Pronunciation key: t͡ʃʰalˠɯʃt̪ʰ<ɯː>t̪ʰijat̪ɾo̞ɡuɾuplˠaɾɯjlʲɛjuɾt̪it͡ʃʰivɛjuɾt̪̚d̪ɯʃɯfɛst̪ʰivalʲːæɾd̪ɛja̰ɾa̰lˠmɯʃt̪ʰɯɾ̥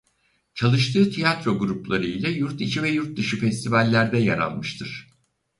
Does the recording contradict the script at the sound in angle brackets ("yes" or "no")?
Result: no